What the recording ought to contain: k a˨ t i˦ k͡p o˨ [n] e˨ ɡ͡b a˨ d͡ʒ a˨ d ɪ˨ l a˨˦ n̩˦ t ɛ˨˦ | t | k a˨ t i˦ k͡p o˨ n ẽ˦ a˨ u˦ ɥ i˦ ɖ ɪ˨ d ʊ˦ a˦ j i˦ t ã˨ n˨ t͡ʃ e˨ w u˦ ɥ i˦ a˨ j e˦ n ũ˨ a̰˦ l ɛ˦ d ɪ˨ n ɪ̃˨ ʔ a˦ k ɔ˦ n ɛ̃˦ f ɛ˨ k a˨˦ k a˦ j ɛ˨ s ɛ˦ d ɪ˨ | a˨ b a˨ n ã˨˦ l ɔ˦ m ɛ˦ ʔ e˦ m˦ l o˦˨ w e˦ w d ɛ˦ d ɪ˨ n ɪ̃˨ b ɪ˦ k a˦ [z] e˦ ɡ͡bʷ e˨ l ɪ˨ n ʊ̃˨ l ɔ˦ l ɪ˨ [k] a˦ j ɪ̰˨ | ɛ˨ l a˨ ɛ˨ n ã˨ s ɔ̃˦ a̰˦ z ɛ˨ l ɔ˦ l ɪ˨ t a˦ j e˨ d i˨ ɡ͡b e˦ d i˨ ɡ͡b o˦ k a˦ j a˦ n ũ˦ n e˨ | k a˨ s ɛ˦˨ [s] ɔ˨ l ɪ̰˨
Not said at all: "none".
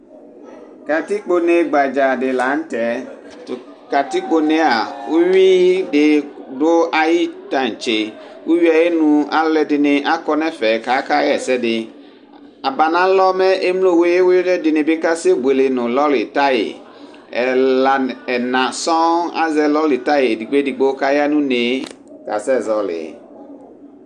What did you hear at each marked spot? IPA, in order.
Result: n, s, t, z

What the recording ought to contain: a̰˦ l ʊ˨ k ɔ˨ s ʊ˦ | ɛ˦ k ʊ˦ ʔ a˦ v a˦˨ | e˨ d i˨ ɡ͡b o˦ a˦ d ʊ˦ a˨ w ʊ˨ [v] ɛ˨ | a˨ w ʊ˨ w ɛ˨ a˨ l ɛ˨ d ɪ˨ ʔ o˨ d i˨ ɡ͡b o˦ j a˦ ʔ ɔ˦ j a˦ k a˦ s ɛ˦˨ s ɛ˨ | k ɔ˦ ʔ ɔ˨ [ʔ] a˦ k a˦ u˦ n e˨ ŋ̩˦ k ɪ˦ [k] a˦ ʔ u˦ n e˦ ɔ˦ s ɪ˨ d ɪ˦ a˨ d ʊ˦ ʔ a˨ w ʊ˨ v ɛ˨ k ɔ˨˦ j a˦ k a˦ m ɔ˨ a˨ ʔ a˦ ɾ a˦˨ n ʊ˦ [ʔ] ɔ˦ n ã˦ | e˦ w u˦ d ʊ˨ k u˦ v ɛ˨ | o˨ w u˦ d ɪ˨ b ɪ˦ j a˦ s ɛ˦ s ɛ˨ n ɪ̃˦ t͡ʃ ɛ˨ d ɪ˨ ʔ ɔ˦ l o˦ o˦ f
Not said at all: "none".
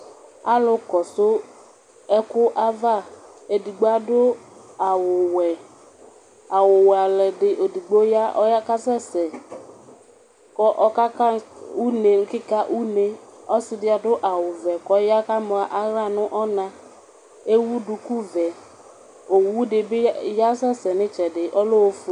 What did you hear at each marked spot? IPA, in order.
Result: w, k, k, ʔ

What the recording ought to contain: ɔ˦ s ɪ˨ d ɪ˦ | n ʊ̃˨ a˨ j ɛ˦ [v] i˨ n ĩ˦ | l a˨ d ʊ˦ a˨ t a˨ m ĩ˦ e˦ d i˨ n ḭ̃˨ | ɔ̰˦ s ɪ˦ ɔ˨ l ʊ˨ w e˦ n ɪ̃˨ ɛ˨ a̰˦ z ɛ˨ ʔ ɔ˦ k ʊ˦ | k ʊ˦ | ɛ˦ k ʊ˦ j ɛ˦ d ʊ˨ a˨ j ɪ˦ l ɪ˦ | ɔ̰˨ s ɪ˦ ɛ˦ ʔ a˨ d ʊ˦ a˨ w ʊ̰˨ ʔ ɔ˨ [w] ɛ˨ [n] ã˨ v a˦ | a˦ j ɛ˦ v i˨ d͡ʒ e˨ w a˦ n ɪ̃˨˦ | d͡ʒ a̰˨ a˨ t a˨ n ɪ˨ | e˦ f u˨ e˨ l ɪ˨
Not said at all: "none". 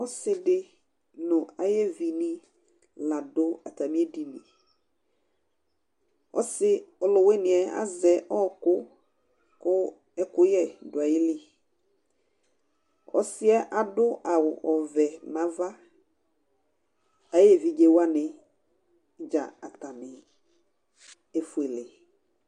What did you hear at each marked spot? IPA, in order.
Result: v, v, m

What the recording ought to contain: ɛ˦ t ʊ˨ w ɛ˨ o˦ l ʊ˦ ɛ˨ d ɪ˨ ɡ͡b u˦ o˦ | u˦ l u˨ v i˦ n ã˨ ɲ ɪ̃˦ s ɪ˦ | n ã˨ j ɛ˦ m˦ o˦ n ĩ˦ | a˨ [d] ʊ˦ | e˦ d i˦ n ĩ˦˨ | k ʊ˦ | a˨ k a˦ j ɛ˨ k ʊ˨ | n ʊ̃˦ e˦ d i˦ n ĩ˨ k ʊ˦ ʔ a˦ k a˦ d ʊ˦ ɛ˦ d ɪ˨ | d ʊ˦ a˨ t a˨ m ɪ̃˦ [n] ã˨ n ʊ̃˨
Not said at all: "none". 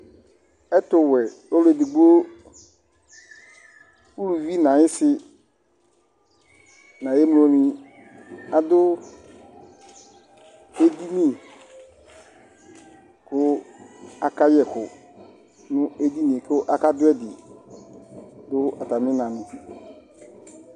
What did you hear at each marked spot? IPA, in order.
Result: d, n

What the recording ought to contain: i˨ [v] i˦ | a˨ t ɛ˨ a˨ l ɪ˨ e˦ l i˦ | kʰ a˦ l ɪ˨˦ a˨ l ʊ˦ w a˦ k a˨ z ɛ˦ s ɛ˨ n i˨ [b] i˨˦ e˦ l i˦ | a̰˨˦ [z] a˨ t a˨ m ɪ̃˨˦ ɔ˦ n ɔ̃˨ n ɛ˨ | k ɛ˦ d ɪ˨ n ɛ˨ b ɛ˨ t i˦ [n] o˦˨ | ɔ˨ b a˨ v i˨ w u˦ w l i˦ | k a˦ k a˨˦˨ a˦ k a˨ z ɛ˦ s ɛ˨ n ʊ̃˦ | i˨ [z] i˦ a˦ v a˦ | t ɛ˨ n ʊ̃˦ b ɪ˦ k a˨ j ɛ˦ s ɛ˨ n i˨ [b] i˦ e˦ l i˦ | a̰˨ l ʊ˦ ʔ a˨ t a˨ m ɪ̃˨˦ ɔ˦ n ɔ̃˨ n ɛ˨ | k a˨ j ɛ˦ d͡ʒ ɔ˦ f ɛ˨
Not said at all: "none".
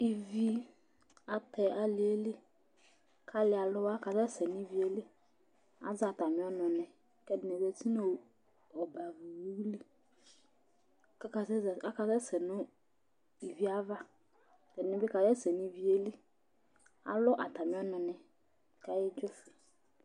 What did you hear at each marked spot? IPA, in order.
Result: v, v, z, n, v, v

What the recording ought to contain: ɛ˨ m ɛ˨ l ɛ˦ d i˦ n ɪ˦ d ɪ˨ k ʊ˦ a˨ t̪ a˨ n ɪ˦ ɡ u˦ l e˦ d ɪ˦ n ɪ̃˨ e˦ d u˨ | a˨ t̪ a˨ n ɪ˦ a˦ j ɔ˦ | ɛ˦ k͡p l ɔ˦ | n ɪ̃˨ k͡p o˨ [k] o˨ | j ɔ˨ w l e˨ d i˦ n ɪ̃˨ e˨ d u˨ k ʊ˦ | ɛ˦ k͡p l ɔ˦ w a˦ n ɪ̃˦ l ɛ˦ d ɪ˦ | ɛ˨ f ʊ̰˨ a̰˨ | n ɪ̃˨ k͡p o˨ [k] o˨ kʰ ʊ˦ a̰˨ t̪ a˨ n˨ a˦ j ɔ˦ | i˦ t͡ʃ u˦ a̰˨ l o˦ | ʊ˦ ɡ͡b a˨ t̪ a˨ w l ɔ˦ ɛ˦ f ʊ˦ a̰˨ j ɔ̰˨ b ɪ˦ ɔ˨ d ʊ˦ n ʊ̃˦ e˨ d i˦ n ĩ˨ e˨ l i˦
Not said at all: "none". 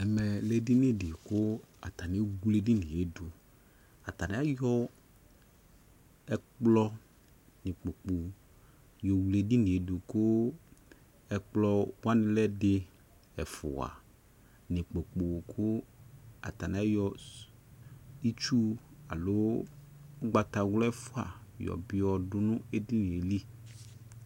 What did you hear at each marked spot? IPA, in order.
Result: k͡p, k͡p

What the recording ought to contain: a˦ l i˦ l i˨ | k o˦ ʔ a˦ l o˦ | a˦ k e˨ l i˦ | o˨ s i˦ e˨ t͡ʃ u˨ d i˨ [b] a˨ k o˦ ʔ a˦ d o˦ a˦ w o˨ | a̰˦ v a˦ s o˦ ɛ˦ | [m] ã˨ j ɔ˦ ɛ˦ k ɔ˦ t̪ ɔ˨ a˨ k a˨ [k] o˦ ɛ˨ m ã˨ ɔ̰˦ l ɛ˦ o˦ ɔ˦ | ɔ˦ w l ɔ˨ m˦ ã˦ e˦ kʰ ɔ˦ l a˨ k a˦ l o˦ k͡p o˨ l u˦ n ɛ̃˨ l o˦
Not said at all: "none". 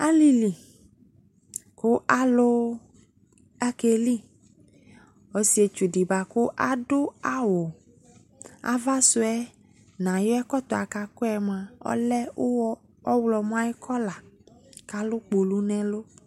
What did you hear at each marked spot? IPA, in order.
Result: b, n, k

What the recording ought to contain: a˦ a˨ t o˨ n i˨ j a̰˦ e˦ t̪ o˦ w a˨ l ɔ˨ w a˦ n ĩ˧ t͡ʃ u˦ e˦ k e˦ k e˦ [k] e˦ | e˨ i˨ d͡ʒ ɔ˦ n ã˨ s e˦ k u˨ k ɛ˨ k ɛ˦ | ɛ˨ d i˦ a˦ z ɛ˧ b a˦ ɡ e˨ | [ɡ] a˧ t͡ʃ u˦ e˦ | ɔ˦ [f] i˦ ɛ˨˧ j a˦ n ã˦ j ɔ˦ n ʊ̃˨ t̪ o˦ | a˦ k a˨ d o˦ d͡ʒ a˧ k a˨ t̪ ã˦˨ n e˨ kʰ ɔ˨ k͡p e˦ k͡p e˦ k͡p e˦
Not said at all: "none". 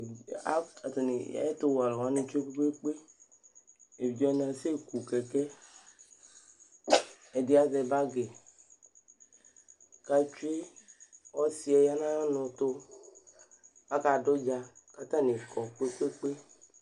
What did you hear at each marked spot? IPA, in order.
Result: k͡p, k, s

